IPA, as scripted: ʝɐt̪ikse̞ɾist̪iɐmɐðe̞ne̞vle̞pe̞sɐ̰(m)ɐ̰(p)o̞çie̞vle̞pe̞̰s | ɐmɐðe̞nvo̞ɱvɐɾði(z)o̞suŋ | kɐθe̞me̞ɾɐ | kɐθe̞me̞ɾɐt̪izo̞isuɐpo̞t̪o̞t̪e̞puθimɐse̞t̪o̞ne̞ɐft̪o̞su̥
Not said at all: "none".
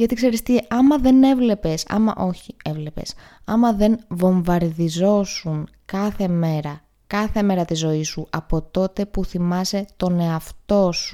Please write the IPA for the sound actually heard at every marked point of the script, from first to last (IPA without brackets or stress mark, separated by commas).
m, ʔ, z